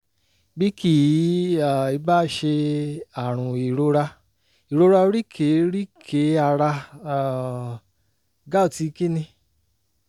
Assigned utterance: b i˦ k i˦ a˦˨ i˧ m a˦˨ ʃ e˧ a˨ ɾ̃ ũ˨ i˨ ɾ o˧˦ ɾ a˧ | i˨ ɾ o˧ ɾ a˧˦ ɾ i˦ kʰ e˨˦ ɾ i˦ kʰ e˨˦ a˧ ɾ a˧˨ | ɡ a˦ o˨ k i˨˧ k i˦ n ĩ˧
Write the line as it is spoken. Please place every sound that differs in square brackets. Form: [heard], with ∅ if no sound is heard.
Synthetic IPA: b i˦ k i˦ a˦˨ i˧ [b] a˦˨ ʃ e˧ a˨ ɾ̃ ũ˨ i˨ ɾ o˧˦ ɾ a˧ | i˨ ɾ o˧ ɾ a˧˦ ɾ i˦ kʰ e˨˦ ɾ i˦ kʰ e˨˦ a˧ ɾ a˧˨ | ɡ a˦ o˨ [t] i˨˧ k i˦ n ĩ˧